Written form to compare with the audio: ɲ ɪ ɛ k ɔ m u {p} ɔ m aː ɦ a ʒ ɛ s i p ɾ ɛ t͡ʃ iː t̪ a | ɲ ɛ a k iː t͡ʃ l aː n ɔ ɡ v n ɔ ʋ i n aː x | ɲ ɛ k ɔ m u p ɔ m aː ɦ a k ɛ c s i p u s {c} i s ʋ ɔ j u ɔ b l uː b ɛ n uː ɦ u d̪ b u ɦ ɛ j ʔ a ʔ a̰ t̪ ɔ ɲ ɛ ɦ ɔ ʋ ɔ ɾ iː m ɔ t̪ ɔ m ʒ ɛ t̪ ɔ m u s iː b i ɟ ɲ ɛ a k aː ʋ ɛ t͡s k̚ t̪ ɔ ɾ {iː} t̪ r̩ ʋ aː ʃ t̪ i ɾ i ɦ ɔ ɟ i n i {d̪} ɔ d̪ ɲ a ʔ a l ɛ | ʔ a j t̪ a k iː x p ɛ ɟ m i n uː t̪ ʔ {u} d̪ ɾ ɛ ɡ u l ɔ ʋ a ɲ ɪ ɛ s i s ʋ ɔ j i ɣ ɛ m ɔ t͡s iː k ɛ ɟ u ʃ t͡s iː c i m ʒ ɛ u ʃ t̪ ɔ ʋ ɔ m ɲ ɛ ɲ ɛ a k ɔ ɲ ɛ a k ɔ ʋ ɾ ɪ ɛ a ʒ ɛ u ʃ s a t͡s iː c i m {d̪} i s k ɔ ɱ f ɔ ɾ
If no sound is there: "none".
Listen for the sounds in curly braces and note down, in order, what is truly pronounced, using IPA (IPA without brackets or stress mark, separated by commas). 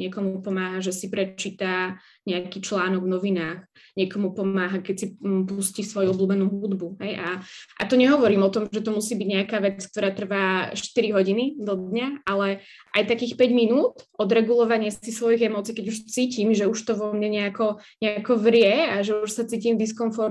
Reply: p, c, aː, d̪, ɔ, d̪